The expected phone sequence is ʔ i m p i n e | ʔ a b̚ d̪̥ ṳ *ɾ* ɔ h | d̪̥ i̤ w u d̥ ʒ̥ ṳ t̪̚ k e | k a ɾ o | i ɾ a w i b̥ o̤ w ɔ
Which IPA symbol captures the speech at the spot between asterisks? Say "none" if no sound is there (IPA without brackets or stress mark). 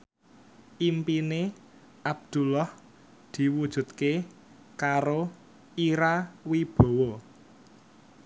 l